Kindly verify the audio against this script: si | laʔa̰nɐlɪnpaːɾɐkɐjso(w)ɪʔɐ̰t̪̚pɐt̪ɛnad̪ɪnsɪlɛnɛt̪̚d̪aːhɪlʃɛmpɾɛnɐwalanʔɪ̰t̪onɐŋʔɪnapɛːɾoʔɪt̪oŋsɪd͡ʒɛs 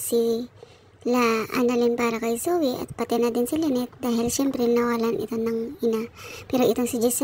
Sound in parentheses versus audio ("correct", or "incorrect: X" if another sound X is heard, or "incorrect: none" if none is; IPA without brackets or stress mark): correct